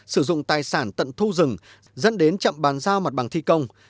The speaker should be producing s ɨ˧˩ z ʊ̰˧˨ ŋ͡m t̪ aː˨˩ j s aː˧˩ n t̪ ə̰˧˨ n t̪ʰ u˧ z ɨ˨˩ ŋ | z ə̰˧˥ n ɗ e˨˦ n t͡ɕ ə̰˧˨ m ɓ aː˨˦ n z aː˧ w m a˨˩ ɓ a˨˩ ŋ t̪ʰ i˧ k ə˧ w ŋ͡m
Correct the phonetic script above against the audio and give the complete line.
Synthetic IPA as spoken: s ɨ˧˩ z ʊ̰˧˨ ŋ͡m t̪ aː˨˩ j s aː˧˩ n t̪ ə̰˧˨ n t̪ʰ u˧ z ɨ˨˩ ŋ | z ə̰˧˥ n ɗ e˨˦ n t͡ɕ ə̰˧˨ m ɓ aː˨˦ n z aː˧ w m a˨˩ ɓ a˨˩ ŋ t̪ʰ i˧ k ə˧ w ŋ͡m